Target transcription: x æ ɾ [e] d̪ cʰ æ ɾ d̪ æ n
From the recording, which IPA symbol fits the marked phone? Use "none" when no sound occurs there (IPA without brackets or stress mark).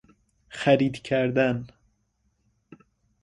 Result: i